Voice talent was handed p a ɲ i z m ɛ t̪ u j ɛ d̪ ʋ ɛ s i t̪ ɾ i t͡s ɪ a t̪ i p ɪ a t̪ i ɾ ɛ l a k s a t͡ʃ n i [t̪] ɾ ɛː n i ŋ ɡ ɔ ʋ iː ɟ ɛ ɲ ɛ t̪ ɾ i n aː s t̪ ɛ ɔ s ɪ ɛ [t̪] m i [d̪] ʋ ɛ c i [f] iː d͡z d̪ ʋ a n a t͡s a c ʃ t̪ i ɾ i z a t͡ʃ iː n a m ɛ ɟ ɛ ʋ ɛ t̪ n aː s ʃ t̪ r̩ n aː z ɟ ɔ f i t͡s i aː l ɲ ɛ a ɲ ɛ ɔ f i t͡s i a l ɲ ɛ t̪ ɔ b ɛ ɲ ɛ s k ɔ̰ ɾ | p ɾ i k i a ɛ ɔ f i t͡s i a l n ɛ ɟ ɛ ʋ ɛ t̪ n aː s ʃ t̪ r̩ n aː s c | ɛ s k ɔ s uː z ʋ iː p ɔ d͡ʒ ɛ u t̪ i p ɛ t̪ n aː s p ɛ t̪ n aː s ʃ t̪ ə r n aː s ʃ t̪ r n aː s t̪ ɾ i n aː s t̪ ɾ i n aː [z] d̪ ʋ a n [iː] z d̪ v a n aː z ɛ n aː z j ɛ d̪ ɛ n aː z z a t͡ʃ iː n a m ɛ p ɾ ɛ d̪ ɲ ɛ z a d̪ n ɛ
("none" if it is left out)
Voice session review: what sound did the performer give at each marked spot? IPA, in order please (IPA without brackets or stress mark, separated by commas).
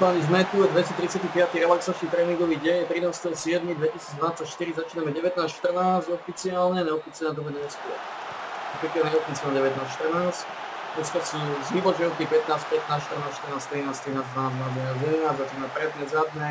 t̪, d̪, d̪, s, z, aː